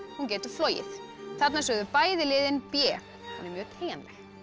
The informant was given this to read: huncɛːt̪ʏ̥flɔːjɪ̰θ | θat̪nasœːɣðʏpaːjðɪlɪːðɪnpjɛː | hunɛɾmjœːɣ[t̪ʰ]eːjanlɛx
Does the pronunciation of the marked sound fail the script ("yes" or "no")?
no